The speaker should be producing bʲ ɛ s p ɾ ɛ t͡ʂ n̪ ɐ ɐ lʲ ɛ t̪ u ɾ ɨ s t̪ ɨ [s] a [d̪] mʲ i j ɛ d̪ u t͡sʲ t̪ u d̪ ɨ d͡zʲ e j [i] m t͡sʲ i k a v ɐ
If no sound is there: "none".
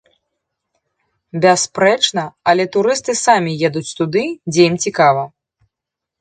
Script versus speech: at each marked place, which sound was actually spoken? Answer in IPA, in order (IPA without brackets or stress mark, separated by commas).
s, none, i